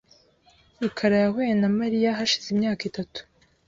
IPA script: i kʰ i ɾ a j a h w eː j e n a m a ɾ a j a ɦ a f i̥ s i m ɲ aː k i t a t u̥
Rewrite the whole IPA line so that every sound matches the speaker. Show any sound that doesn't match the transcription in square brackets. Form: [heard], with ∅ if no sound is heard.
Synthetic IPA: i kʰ [a] ɾ a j a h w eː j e n a m a ɾ [i] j a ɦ a [ʃ] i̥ [z] i m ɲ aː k i t a t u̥